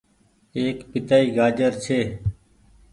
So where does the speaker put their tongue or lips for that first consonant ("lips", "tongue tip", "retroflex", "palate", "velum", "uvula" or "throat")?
velum